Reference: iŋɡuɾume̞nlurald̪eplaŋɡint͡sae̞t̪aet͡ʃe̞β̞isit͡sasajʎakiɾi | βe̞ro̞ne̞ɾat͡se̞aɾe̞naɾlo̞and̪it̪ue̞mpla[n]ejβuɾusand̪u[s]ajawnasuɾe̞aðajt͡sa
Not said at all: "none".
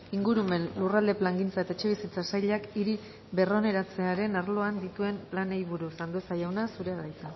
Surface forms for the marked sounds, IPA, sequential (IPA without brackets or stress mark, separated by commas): n, s